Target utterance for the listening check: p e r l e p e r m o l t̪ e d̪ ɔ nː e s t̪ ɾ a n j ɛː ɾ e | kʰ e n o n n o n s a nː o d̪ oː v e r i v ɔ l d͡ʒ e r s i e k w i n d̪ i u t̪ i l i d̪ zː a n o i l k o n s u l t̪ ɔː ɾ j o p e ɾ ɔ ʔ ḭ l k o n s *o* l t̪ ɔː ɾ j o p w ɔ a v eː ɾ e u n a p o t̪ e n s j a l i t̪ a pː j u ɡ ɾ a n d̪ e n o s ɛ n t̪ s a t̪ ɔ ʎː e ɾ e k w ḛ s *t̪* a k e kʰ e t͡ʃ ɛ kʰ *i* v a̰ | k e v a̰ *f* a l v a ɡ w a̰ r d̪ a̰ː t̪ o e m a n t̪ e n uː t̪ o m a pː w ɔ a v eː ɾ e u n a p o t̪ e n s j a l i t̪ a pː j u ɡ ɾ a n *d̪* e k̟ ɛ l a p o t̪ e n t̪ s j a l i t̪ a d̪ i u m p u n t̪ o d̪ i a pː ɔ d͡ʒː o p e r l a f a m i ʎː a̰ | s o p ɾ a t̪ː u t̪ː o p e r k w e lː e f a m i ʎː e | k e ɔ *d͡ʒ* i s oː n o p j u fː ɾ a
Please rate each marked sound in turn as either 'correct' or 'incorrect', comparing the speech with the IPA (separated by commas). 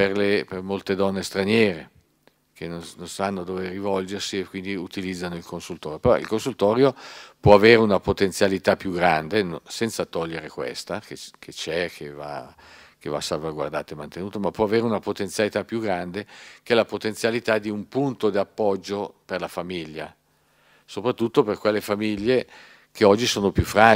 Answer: incorrect, correct, incorrect, incorrect, correct, incorrect